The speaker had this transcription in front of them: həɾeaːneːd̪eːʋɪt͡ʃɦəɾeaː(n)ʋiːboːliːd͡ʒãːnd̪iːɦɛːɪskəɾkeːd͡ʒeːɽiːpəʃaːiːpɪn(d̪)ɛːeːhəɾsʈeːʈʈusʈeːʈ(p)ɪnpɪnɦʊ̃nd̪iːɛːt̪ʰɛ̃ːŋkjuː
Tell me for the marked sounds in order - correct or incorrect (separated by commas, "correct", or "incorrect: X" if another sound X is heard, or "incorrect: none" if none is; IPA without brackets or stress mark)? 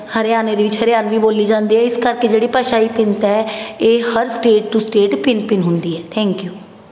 correct, incorrect: t̪, correct